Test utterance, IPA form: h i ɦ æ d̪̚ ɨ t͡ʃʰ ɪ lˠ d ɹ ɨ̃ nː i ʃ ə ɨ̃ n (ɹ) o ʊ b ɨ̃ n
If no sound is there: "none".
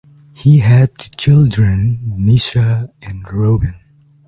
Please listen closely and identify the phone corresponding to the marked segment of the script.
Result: ɹ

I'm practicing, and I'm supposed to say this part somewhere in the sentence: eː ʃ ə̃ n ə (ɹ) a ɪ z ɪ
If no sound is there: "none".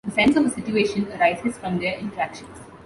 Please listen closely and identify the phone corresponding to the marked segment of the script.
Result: ɾ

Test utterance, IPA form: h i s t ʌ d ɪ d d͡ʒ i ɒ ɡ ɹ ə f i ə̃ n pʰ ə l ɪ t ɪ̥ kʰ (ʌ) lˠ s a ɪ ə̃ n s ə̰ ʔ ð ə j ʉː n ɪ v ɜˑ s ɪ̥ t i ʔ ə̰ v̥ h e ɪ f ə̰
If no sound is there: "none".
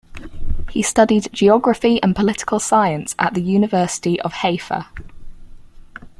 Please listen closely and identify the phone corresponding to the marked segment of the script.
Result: ə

